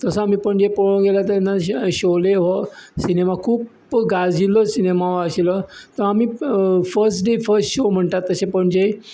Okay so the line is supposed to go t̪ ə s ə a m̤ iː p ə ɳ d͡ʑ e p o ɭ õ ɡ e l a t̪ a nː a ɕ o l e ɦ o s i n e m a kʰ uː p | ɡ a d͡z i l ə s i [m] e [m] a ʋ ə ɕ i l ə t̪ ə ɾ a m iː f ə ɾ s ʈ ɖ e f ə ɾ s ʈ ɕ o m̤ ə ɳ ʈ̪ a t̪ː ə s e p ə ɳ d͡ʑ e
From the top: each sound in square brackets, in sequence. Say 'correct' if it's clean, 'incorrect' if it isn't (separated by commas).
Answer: incorrect, correct